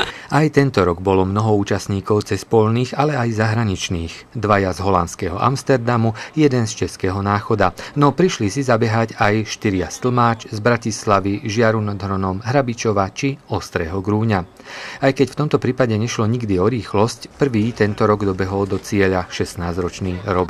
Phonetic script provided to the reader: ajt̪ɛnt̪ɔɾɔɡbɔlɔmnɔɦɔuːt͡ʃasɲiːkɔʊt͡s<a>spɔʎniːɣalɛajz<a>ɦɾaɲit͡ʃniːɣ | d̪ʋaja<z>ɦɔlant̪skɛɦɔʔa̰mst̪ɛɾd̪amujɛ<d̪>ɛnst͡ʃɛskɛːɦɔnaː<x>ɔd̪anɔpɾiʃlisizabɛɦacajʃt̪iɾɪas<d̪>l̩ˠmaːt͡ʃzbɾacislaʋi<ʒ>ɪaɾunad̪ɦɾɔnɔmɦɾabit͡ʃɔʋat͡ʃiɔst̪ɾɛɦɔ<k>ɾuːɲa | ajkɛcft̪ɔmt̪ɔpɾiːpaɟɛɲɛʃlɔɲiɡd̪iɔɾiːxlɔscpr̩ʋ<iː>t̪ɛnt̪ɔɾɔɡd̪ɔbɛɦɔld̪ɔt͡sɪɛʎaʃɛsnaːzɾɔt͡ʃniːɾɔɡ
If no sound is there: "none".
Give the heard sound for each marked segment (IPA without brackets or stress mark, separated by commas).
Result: ɛ, a, z, d̪, x, t̪, ʒ, ɡ, iː